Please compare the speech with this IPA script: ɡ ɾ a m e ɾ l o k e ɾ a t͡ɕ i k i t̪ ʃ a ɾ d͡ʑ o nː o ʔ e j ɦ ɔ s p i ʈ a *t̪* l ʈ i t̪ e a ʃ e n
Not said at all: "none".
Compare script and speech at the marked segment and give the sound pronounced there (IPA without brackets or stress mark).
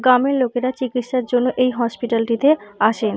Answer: none